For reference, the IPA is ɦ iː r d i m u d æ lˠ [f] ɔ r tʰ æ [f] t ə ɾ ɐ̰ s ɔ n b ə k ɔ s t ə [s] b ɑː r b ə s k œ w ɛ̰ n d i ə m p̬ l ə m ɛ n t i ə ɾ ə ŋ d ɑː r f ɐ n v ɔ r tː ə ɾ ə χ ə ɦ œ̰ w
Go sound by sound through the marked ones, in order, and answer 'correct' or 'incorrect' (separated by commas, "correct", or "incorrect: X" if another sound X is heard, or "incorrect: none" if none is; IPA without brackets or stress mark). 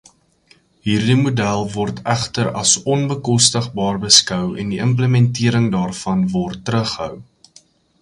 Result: incorrect: v, incorrect: χ, incorrect: χ